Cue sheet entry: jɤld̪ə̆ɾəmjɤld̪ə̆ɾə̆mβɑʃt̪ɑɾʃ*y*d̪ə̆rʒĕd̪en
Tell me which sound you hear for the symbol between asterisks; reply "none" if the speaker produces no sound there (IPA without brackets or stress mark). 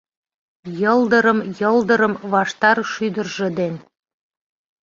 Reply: y